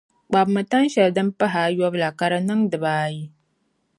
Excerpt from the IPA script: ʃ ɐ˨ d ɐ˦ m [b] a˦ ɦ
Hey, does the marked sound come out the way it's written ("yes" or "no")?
no